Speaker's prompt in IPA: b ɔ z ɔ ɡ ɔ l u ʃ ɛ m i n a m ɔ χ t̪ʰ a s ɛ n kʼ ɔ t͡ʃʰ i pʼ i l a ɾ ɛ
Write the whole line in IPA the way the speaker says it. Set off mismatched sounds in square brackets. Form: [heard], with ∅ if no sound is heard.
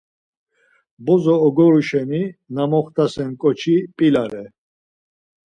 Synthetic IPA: b ɔ z [ɔː] ɡ ɔ [ɾ] u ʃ ɛ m i n a m ɔ χ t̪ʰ a s ɛ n kʼ ɔ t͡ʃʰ i pʼ i l a ɾ ɛ